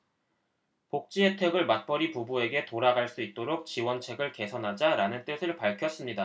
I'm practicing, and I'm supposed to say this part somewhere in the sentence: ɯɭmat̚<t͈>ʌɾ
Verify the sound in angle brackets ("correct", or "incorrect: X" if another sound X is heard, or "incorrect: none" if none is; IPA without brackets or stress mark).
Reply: incorrect: p͈